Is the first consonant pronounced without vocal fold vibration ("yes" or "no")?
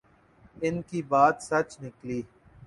no